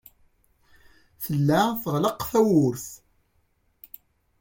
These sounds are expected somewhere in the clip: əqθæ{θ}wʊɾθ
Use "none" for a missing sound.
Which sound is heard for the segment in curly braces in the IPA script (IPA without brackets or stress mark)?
none